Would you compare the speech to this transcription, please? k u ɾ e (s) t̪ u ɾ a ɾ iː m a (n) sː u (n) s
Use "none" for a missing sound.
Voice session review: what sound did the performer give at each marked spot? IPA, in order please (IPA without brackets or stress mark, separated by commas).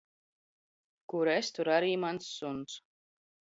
s, n, n